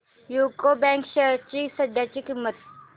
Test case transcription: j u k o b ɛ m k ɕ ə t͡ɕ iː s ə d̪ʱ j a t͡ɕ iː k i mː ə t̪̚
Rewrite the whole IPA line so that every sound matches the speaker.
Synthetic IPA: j u k o b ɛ ŋ k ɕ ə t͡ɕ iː s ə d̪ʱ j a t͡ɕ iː k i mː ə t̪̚